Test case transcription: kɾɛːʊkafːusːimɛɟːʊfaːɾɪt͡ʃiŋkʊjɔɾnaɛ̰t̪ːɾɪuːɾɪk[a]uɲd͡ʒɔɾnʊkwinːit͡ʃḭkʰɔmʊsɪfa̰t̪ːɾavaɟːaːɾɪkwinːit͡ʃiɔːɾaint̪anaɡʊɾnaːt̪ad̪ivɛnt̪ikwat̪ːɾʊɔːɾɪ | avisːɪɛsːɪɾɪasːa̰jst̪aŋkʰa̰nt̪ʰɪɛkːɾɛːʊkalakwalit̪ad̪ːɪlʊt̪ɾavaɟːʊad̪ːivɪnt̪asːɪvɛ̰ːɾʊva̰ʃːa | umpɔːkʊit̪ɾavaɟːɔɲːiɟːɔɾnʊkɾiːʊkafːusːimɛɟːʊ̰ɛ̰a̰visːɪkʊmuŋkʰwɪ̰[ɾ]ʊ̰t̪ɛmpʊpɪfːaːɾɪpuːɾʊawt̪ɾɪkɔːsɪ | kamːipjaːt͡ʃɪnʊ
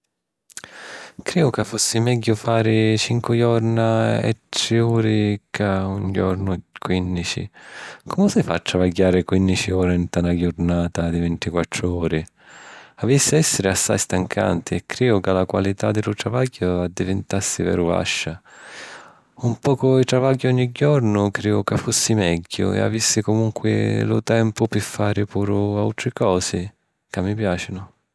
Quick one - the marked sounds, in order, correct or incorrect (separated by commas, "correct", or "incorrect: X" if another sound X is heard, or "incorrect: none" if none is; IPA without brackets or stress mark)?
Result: correct, incorrect: l